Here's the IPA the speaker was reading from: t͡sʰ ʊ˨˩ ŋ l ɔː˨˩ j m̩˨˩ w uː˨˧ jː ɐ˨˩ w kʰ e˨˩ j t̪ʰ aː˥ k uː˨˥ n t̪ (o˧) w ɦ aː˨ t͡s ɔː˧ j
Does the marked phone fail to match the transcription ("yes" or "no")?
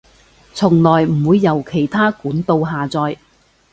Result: no